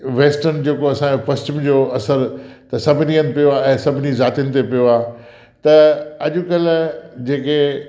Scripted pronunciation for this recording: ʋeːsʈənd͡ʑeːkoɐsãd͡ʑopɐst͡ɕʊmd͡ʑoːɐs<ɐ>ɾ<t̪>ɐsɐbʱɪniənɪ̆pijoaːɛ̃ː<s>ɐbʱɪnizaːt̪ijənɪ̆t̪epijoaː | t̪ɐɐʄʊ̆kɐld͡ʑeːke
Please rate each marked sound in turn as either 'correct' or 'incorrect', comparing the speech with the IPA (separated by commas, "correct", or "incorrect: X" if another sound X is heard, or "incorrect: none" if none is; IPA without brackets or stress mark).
incorrect: ə, correct, correct